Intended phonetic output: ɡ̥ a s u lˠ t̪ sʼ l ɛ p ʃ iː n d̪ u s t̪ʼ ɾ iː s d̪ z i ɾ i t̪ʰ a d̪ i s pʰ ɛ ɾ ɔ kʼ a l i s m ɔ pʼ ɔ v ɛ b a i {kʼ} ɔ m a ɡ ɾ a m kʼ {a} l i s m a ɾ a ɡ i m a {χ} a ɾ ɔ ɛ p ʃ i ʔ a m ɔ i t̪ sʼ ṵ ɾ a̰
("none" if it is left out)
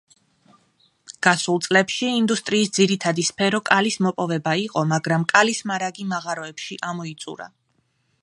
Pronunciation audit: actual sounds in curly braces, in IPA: qʼ, a, ʁ

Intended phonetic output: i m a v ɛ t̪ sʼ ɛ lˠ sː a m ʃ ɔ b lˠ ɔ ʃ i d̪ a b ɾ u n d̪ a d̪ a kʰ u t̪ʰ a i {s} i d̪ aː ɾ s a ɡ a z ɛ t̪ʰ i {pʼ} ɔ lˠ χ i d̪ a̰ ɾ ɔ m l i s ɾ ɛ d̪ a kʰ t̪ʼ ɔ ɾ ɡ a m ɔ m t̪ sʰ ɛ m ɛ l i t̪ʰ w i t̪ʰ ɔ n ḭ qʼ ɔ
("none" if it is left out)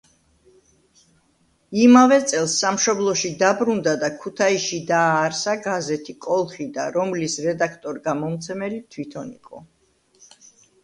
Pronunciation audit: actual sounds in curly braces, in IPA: ʃ, kʼ

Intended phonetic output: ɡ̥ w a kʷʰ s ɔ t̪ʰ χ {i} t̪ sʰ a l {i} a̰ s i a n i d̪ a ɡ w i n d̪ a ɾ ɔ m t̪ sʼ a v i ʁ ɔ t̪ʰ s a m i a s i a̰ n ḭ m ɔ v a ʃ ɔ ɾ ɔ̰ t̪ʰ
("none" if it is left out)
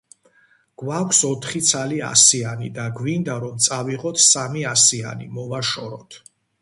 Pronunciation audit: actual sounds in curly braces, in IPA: i, i

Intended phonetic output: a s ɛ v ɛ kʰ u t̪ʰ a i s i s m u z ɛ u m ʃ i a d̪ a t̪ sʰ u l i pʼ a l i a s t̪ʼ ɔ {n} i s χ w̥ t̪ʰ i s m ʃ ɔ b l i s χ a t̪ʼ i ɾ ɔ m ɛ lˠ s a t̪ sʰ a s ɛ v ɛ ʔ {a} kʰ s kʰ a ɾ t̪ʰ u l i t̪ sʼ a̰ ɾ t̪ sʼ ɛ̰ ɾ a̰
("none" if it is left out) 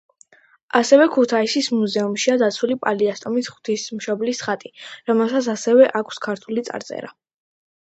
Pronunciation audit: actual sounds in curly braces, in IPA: m, a

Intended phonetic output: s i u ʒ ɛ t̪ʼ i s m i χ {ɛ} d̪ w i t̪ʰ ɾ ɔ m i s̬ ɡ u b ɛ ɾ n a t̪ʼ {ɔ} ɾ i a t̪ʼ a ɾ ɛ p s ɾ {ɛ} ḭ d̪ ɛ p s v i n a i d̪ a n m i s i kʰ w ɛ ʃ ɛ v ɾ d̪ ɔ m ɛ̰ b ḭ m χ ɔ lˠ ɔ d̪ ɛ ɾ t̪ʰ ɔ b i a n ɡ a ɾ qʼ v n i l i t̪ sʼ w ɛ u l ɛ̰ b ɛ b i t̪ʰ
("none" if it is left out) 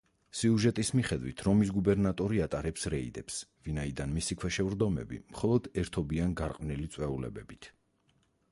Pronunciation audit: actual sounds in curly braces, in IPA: ɛ, ɔ, ɛ

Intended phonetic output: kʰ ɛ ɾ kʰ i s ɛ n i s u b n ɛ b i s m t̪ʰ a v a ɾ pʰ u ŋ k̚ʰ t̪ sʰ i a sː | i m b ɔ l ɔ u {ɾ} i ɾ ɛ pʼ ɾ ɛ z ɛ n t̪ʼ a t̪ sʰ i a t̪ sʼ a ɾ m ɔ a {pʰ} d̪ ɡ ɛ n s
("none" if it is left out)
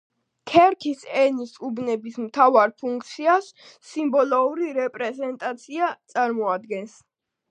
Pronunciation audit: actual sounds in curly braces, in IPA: ɾ, none

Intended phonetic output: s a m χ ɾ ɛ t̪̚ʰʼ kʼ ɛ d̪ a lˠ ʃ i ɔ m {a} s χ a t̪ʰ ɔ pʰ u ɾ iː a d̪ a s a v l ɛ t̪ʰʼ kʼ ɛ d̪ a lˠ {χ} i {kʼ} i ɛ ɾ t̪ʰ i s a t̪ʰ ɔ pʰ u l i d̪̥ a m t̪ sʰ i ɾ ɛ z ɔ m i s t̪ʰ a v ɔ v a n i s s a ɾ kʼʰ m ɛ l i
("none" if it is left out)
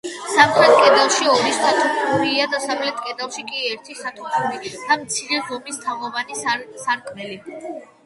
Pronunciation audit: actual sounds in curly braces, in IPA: i, ʃ, kʼ

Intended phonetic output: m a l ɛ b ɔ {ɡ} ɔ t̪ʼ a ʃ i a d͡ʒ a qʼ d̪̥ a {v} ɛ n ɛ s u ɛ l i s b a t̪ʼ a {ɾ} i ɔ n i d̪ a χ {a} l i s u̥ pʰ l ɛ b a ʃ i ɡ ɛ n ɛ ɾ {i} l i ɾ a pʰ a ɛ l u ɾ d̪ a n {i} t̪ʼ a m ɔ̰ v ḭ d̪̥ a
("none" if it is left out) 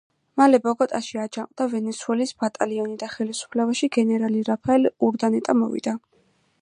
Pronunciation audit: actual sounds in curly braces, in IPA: ɡ, v, l, ɛ, a, ɛ

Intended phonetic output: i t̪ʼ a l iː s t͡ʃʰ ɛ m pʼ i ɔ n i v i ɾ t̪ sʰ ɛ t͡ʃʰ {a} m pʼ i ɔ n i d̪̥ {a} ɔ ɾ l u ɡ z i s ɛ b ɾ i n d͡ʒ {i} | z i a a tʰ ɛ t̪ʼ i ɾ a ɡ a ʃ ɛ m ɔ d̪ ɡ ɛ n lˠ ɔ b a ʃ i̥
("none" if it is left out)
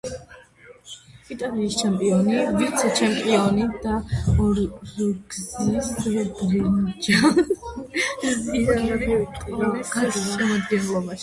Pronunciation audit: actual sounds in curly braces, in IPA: ɛ, a, a

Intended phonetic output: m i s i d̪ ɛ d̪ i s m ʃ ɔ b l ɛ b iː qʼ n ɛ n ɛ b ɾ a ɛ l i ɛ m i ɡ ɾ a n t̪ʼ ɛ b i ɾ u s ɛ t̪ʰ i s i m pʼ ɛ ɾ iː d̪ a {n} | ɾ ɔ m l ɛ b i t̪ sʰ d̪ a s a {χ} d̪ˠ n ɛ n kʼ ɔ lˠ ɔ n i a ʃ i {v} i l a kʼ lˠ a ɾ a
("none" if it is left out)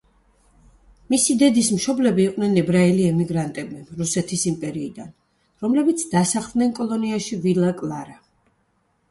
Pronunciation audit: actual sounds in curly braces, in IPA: n, χ, v

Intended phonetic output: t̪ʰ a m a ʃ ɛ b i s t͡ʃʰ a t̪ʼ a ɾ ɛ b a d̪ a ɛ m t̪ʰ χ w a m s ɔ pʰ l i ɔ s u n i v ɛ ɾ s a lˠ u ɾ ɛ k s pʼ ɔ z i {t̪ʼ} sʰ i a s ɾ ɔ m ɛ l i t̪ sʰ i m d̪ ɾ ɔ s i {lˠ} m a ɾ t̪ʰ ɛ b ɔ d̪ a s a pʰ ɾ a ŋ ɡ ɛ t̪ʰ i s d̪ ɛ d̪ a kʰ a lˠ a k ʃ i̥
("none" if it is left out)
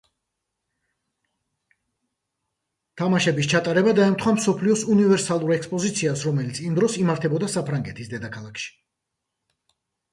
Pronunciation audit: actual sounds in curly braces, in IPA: t̪, none

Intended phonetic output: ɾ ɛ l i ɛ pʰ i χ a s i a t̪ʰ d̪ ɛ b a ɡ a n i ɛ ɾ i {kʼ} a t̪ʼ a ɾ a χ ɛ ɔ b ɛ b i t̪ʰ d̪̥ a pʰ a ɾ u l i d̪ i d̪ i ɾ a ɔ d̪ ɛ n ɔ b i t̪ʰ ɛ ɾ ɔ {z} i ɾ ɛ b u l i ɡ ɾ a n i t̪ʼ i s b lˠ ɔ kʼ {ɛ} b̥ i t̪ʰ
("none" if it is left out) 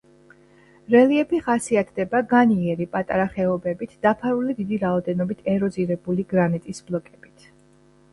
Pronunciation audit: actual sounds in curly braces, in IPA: pʼ, z, ɛ

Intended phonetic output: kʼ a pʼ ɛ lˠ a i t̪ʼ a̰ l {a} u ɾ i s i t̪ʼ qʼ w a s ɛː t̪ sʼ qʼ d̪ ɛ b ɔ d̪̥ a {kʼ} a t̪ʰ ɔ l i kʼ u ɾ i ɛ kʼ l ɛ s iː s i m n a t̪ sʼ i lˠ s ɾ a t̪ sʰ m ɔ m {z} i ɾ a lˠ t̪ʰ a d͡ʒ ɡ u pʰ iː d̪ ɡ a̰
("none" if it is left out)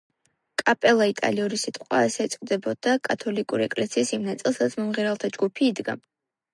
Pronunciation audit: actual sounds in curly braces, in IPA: i, kʼ, ʁ

